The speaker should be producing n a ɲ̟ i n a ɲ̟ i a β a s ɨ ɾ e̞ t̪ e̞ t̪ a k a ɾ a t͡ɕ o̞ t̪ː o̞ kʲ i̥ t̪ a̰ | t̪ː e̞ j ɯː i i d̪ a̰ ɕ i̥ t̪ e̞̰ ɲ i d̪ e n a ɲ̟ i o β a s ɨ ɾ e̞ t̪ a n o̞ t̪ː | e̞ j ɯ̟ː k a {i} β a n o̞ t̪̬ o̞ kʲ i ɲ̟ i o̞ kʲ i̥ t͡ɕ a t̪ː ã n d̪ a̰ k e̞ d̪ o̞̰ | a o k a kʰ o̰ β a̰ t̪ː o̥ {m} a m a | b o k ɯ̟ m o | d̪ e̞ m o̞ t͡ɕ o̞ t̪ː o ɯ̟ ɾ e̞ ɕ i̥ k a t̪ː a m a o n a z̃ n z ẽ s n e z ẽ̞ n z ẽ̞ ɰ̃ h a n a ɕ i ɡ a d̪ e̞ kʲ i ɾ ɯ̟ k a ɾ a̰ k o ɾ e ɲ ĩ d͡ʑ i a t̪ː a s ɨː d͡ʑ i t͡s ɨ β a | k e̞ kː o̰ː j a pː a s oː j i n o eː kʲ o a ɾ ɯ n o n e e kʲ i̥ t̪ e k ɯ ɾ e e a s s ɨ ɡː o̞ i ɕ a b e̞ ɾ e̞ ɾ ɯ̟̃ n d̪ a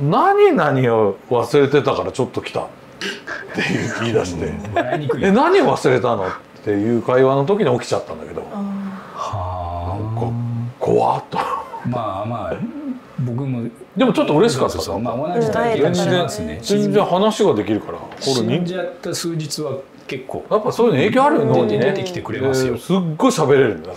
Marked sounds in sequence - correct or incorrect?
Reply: correct, correct

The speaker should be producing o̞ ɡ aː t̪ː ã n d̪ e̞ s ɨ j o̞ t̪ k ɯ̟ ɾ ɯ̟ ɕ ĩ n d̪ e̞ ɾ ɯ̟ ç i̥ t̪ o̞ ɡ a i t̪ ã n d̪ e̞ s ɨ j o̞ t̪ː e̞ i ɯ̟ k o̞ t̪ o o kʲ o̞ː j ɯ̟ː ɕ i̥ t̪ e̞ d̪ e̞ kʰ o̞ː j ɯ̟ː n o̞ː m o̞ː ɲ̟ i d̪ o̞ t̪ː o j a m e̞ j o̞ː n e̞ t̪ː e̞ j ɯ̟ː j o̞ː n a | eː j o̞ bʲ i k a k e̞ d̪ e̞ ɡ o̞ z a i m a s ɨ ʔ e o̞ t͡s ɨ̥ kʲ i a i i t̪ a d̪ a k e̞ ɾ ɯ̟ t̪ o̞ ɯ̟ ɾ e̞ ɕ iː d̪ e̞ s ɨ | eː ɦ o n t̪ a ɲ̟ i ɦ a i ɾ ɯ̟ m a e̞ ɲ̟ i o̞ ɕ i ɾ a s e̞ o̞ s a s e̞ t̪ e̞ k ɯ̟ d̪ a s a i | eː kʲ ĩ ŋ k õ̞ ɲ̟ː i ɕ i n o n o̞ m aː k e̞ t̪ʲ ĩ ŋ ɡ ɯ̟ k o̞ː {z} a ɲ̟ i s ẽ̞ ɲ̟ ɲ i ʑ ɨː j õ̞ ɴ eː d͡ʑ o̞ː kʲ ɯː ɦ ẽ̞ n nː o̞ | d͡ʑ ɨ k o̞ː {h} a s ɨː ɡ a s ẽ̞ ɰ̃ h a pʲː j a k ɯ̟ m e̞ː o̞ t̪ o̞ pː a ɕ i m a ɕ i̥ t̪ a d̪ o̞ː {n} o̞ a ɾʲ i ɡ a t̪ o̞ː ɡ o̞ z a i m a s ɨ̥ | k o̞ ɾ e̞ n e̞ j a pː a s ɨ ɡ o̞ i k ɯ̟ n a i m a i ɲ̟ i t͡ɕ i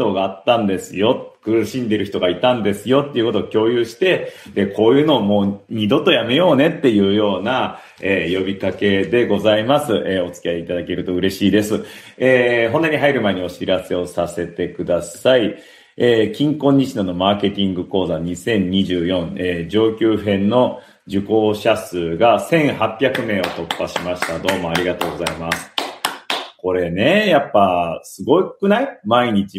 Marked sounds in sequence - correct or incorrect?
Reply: correct, incorrect, incorrect

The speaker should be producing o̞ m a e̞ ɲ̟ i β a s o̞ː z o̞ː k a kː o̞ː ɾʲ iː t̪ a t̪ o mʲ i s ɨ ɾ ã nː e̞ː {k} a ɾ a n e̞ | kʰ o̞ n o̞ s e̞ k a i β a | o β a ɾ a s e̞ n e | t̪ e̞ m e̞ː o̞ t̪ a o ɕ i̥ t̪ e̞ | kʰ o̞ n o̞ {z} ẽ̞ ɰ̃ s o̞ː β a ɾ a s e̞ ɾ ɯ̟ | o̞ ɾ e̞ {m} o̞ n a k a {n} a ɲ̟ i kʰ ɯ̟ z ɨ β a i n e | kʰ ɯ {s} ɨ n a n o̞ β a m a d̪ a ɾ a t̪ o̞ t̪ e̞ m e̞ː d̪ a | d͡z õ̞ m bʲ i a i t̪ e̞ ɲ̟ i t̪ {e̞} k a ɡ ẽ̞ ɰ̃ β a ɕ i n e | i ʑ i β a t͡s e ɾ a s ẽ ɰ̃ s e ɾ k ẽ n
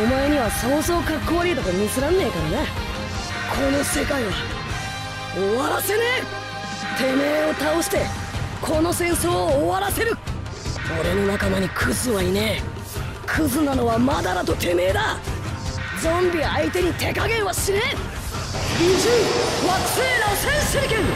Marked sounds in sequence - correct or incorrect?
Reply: correct, incorrect, incorrect, incorrect, incorrect, correct

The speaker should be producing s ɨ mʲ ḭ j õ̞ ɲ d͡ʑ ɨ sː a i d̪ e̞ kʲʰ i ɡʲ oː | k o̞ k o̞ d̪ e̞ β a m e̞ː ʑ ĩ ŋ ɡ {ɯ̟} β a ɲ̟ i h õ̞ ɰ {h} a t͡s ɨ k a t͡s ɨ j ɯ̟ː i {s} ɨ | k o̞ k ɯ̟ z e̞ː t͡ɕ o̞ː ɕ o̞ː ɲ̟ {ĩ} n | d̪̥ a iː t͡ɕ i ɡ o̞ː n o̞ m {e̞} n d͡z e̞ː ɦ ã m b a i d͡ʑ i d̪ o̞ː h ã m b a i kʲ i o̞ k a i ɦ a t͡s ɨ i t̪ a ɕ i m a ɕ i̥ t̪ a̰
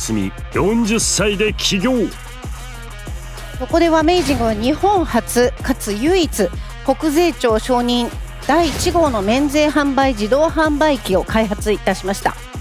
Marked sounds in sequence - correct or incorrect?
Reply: correct, correct, incorrect, correct, incorrect

